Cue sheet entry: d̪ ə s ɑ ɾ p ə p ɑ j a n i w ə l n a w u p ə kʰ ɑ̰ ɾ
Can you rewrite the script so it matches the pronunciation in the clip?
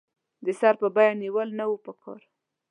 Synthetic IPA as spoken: d̪ ə s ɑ ɾ p ə b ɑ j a n i w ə l n a w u p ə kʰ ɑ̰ ɾ